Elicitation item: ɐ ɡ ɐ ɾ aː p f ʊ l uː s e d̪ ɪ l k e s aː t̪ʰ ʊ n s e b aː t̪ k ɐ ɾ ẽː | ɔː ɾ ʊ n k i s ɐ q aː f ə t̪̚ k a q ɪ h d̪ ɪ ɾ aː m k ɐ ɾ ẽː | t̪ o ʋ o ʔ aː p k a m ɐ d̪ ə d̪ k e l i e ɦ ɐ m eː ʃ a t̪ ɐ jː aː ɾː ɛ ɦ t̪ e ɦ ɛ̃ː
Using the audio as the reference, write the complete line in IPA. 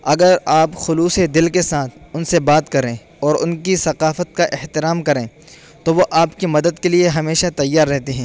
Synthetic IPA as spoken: ɐ ɡ ə ɾ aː p x ʊ l uː s e d̪ ɪ l k e s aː t̪ʰ ʊ n s e b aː t̪ k ɐ ɾ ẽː | ɔː ɾ ʊ n k i s ɐ q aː f ə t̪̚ k a ʔ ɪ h t̪ ɪ ɾ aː m k ɐ ɾ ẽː | t̪ o ʋ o ʔ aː p k i m ɐ d̪ ə d̪ k e l i e ɦ ɐ m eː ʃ a t̪ ɐ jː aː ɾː ɛ ɦ t̪ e ɦ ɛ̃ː